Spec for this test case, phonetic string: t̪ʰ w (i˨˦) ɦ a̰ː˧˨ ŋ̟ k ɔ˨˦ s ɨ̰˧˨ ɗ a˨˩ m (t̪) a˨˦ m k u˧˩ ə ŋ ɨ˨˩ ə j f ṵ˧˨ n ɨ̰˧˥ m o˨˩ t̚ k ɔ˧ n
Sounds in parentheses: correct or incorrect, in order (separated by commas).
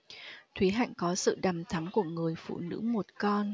correct, incorrect